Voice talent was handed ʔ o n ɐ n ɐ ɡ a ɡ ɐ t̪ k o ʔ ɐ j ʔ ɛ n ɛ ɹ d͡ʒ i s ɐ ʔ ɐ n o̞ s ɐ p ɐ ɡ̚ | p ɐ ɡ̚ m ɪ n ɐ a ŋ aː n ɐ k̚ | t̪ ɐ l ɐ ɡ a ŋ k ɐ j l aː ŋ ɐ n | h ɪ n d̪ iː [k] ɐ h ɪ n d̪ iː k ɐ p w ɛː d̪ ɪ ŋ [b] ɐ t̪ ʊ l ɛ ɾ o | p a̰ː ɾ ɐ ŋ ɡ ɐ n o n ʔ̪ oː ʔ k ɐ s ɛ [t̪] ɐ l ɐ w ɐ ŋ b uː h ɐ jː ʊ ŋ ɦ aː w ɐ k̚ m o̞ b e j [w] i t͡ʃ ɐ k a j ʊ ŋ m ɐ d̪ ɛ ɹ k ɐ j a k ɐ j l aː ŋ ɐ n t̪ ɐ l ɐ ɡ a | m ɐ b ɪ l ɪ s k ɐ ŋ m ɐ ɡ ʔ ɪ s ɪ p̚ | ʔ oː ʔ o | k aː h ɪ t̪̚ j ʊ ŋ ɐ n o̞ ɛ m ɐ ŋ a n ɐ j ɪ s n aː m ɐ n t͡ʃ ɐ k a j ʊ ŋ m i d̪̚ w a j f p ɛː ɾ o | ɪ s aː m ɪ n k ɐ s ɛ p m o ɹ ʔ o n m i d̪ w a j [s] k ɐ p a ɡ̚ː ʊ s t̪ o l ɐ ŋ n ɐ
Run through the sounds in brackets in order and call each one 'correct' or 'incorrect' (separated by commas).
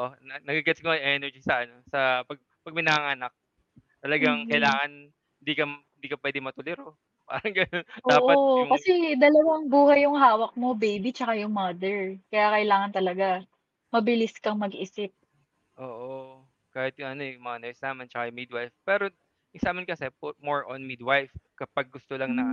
correct, incorrect, incorrect, incorrect, incorrect